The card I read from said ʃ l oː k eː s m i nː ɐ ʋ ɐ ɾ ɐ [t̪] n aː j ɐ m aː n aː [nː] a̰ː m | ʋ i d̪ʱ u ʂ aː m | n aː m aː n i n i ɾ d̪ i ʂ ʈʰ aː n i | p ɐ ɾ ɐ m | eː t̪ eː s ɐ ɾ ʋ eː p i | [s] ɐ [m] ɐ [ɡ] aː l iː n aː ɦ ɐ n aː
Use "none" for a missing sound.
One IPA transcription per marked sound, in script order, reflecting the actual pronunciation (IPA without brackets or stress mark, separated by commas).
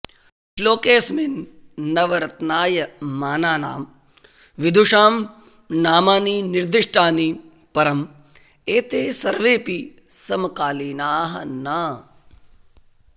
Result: t̪, n, s, m, k